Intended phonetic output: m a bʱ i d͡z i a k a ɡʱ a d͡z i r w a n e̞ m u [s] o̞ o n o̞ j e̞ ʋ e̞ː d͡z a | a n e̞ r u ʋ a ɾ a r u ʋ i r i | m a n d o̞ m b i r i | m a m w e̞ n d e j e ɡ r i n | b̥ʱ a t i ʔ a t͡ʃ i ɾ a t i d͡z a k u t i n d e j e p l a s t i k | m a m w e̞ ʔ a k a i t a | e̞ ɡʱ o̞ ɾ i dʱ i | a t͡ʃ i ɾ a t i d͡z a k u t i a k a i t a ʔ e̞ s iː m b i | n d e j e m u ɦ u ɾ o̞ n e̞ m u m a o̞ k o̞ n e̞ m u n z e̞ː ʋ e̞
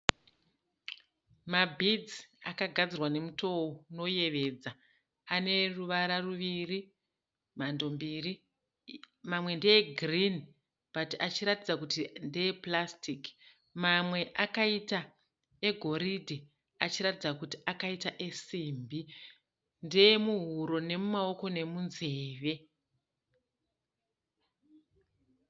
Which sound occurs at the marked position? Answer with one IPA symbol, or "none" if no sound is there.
t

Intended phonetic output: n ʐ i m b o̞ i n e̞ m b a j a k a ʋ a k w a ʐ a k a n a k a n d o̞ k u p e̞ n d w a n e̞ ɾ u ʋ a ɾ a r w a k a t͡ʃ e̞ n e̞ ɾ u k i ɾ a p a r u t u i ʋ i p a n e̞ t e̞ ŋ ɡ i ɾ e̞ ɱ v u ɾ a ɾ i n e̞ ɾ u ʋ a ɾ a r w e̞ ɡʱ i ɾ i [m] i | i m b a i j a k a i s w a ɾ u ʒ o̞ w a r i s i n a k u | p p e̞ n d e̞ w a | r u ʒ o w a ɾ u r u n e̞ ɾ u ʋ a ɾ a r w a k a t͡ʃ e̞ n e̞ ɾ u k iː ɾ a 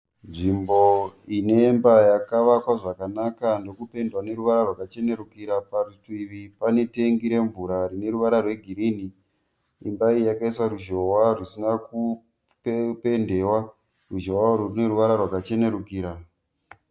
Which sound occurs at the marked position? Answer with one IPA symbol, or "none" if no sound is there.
n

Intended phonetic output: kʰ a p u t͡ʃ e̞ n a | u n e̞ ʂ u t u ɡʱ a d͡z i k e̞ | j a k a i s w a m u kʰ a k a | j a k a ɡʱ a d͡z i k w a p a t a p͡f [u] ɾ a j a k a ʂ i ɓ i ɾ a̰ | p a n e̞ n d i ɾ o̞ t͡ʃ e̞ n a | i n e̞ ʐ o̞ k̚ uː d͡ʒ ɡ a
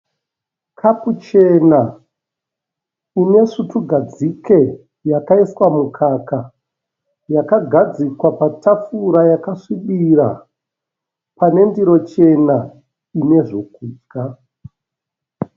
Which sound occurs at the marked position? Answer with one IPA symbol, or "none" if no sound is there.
u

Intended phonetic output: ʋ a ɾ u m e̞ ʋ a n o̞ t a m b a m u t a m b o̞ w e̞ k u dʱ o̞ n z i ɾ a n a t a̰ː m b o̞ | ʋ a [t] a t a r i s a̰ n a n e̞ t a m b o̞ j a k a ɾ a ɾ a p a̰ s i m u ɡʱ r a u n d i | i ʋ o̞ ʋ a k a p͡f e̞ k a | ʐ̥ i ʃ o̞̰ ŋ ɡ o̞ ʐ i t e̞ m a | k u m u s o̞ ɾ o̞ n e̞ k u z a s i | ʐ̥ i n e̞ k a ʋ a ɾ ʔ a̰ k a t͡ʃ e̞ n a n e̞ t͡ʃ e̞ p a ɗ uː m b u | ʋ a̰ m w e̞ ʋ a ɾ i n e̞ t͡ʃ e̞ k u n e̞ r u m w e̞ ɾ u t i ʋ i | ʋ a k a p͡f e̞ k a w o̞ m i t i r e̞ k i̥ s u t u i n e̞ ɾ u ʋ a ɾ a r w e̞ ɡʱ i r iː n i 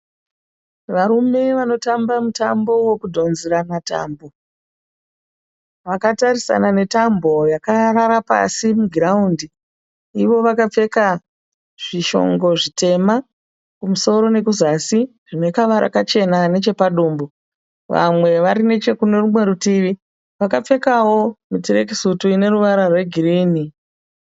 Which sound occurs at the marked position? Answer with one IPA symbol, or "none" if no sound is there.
k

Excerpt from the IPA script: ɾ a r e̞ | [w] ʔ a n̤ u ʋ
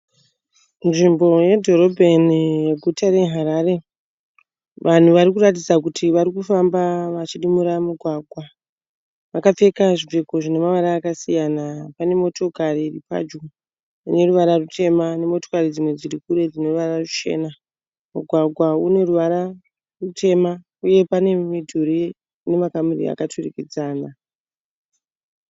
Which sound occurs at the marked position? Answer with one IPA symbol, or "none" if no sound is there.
ʋ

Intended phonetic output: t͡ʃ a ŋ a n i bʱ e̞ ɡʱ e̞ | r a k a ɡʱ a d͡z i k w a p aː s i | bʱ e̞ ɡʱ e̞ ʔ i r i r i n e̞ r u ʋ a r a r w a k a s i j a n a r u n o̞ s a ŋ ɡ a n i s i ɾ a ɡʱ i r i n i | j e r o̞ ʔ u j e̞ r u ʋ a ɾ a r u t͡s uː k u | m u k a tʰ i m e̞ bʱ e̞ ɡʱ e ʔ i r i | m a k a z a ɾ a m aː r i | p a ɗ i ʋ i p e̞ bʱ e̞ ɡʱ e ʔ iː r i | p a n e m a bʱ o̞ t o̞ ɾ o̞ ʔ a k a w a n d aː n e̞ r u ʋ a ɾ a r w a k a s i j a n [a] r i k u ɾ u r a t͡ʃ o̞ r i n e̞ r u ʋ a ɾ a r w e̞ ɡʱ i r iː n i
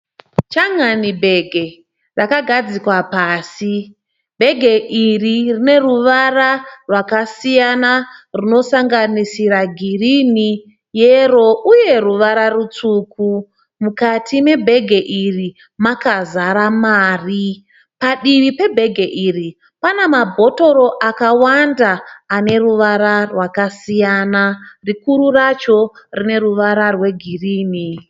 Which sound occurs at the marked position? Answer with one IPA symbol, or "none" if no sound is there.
a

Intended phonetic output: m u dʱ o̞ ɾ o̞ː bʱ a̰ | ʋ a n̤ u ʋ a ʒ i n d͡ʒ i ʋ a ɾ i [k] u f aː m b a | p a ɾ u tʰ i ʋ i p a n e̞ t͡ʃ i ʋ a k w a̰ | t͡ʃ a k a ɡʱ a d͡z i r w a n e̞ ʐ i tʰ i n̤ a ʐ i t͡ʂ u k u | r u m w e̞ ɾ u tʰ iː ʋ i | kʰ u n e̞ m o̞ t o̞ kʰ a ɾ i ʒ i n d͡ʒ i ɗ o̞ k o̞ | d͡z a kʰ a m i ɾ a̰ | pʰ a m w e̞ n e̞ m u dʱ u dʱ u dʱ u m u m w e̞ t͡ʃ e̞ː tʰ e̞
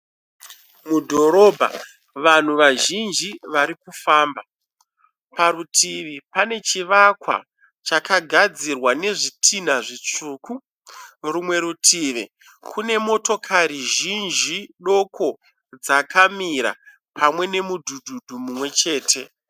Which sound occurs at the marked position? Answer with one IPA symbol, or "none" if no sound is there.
k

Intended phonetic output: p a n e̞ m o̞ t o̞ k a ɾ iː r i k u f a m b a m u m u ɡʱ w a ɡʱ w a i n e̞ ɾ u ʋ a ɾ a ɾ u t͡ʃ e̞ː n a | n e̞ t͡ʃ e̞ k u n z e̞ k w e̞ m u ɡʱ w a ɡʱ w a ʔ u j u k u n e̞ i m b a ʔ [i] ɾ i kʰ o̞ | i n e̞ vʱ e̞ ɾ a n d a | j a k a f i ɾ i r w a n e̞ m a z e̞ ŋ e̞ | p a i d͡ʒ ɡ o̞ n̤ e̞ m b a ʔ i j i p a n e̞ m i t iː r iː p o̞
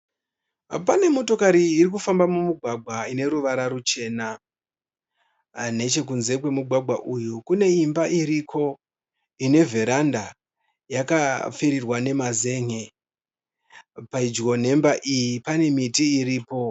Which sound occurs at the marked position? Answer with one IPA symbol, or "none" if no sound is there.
i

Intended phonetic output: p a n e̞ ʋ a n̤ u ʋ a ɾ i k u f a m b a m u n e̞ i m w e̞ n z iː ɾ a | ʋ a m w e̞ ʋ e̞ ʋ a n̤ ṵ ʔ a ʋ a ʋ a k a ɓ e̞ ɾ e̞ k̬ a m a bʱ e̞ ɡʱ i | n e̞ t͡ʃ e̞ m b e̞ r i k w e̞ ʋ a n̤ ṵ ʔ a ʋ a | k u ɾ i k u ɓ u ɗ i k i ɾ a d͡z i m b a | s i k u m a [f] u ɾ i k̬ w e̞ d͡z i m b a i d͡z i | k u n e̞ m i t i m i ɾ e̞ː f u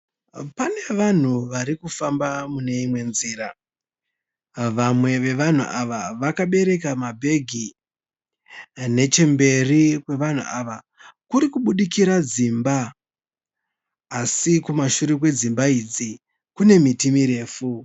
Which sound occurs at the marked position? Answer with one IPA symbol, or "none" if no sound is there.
ʃ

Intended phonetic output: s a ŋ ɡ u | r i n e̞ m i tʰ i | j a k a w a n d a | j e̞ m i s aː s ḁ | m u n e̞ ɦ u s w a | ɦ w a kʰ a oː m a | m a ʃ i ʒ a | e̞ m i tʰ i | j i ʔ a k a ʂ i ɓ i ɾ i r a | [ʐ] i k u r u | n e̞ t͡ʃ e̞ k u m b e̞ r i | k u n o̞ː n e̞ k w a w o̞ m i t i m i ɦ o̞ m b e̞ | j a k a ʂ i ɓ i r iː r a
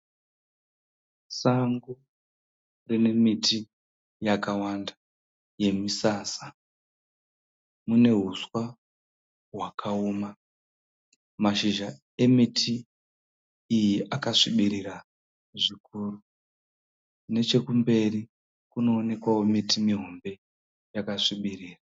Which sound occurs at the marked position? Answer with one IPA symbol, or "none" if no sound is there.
ʐ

